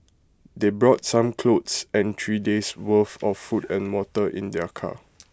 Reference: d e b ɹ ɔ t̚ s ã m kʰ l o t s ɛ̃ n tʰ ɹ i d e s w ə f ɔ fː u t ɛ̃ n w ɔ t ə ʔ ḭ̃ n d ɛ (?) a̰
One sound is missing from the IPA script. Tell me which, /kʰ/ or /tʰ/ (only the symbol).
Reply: kʰ